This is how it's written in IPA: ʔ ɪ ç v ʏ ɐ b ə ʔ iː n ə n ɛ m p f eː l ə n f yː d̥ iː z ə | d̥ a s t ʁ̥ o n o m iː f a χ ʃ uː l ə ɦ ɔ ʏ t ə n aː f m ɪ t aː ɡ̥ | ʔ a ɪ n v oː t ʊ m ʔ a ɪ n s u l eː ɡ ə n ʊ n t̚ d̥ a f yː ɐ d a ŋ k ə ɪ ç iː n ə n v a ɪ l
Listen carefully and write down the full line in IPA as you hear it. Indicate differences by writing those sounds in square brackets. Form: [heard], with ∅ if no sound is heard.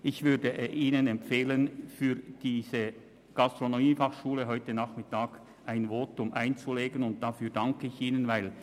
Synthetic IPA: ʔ ɪ ç v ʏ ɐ [d] ə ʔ iː n ə n ɛ m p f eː l ə n f yː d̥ iː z ə | [ɡ̥] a s t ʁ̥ o n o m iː f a χ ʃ uː l ə ɦ ɔ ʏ t ə n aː [χ] m ɪ t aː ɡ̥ | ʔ a ɪ n v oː t ʊ m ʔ a ɪ n [t͡s] u l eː ɡ ə n ʊ n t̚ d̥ a f yː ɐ d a ŋ k ə ɪ ç iː n ə n v a ɪ l

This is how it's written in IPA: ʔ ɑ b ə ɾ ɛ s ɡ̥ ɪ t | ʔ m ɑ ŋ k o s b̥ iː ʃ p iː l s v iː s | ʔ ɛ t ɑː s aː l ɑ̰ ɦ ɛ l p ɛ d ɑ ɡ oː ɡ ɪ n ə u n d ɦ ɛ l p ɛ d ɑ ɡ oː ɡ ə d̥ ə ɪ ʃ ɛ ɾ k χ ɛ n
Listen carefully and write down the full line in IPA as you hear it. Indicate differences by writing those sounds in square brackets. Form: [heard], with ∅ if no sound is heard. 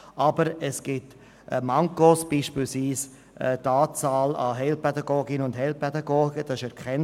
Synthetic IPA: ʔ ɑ b ə ɾ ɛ s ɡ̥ ɪ t | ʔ m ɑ ŋ k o s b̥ iː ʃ p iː l s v iː s | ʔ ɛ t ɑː [t͡s] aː l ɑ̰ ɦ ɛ l p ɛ d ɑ ɡ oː ɡ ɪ n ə [ʊ] n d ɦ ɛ l p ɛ d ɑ ɡ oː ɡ ə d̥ [ɑ] ɪ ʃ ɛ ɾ k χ ɛ n

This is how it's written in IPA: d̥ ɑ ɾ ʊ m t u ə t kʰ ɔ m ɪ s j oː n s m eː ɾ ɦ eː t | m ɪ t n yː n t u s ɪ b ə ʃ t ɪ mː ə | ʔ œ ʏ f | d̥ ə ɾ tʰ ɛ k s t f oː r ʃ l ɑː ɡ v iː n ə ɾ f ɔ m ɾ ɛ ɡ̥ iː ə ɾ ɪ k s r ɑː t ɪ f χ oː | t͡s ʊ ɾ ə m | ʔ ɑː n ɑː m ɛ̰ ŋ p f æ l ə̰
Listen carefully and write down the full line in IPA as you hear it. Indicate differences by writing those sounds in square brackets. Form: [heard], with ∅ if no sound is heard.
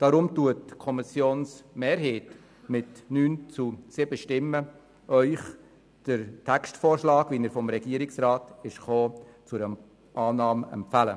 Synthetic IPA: d̥ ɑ ɾ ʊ m t u ə t kʰ ɔ m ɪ s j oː n s m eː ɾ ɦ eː t | m ɪ t n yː n [t͡s] u s ɪ b ə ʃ t ɪ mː ə | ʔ œ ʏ [χ] | d̥ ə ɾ tʰ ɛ k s t f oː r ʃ l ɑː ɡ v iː n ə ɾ f ɔ m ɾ ɛ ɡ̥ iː ə ɾ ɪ k s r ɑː t ɪ [ʃ] χ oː | t͡s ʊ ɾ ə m | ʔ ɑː n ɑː m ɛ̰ [m] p f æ l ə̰

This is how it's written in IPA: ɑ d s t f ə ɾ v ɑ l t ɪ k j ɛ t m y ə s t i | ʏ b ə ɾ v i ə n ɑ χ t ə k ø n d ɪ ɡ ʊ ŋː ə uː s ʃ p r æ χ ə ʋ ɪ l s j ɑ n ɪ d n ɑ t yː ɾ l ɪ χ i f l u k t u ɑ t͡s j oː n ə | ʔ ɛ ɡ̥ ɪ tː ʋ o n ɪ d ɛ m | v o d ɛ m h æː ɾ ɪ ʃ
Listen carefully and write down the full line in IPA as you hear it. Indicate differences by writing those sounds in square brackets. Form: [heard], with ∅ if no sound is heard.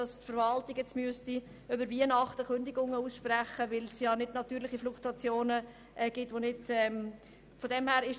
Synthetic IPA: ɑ [∅] s t f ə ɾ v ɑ l t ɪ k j ɛ [t͡s] m y ə s t i | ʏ b ə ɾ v i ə n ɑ χ t ə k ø n d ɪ ɡ ʊ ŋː ə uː s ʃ p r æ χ ə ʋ ɪ l s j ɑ n ɪ d n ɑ t yː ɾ l ɪ χ i f l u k t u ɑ t͡s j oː n ə | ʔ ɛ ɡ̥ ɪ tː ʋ o n ɪ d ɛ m | [f] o d ɛ m h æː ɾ ɪ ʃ

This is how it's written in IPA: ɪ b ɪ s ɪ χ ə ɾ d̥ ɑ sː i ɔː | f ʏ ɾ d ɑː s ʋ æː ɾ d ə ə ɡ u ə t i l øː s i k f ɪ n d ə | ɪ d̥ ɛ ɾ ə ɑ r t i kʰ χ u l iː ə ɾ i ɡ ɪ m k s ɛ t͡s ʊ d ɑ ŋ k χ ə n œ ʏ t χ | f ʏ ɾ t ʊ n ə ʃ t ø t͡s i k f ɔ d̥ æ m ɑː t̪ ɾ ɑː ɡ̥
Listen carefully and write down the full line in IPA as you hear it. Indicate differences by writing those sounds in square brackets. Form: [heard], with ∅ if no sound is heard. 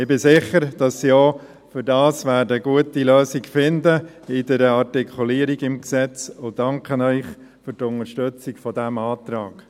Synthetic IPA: ɪ b ɪ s ɪ χ ə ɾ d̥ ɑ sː i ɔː | f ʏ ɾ d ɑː s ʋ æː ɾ d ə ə ɡ u ə t i l øː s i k f ɪ n d ə | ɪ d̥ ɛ ɾ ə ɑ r t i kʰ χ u l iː ə ɾ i ɡ ɪ m k s ɛ t͡s ʊ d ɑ ŋ k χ ə n œ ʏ [∅] χ | f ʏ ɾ t ʊ n ə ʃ t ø t͡s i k f ɔ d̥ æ m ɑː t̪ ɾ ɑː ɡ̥

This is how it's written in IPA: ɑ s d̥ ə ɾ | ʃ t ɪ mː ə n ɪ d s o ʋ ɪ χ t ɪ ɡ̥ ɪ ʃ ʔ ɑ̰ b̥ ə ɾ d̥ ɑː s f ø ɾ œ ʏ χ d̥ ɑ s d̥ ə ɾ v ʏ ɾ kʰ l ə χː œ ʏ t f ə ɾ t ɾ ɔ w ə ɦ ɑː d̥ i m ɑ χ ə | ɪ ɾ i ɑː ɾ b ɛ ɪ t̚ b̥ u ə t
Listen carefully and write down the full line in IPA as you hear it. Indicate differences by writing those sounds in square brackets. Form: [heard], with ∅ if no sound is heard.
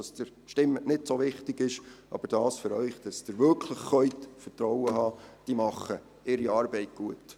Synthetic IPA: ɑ s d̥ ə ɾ | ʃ t ɪ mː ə n ɪ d s o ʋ ɪ χ t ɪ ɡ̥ ɪ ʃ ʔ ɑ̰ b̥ ə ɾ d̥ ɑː s f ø ɾ œ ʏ χ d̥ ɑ s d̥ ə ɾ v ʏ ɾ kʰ l ə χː œ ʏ t f ə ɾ t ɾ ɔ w ə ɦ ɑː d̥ i m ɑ χ ə | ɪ ɾ i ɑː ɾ b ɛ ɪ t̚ [ɡ̥] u ə t

